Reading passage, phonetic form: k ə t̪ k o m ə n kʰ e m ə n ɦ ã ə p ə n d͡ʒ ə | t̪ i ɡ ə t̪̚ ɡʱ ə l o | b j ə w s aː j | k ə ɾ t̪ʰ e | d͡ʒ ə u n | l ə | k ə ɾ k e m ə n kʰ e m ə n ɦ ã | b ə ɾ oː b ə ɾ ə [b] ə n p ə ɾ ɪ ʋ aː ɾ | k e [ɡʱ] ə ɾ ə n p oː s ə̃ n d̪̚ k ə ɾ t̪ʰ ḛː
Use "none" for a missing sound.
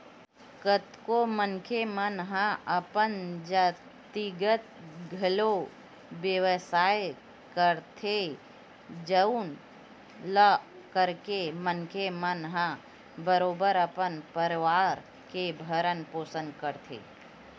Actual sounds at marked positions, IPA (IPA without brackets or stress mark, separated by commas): p, bʱ